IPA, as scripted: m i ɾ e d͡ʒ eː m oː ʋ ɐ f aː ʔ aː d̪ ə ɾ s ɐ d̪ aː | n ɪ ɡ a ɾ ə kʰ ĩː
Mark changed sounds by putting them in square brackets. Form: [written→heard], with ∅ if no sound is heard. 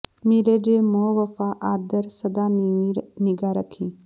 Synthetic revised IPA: m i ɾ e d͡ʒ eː m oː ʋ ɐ f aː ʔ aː d̪ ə ɾ s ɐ d̪ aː | n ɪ ɡ a ɾ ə kʰ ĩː